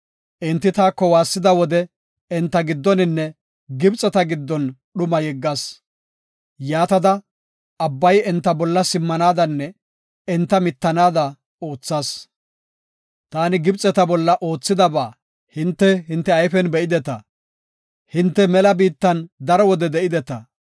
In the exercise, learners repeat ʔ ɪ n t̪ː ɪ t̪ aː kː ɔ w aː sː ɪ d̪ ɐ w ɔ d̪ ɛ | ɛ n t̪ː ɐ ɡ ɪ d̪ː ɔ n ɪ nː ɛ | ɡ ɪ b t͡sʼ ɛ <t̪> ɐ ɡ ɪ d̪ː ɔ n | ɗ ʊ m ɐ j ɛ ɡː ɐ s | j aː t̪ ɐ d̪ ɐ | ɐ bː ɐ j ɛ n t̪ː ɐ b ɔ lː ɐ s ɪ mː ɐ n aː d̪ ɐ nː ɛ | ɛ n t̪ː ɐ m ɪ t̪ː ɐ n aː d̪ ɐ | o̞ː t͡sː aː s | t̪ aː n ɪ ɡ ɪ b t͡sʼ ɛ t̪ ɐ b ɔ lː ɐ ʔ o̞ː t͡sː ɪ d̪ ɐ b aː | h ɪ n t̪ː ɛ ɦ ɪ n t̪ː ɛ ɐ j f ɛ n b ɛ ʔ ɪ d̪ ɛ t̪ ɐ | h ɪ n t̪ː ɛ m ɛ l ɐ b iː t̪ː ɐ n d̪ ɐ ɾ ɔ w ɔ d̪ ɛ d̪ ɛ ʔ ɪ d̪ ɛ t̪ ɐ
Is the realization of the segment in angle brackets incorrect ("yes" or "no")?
no